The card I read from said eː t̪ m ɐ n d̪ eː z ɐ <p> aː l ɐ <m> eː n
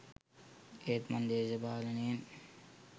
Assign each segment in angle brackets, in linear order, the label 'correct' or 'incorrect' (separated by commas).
incorrect, incorrect